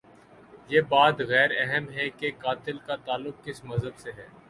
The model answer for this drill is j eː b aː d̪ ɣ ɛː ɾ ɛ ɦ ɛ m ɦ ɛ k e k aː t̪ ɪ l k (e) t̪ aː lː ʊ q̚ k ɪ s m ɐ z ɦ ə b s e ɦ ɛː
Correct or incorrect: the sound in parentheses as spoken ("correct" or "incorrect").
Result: incorrect